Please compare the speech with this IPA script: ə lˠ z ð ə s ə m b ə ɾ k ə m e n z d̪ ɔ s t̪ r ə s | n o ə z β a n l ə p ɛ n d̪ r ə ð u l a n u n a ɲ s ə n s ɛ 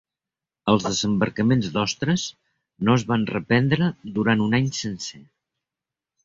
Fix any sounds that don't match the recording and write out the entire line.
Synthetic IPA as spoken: ə lˠ z ð ə z ə m b ə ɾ k ə m e n z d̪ ɔ s t̪ ɾ ə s | n o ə z β a n r ə p ɛ n d̪ ɾ ə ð u ɾ a n u n a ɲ s ə n s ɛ